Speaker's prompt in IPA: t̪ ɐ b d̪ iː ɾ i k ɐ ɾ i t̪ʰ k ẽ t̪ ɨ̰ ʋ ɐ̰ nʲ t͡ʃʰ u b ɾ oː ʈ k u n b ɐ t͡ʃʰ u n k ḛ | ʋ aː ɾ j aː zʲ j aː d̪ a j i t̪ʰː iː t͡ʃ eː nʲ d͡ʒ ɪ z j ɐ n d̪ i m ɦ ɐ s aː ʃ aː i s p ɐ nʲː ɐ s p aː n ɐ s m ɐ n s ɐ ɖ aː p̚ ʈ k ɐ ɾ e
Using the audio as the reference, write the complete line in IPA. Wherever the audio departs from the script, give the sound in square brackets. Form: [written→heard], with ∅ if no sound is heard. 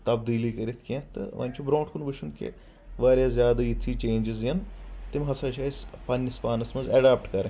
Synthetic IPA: t̪ ɐ b d̪ iː [ɾ→l] i k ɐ ɾ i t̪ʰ k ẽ t̪ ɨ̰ ʋ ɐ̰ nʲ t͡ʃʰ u b ɾ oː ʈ k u n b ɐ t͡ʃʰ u n k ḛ | ʋ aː ɾ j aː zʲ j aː d̪ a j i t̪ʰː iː t͡ʃ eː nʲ d͡ʒ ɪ z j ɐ n [d̪→t̪] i m ɦ ɐ s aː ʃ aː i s p ɐ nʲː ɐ s p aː n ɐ s m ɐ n [s→z] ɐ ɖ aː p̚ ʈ k ɐ ɾ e